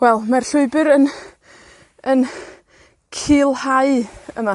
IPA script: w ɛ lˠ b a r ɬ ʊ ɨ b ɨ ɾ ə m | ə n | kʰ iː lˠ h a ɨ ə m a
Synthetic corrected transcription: w ɛ lˠ m a r ɬ ʊ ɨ b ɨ ɾ ə n | ə n | kʰ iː lˠ h a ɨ ə m a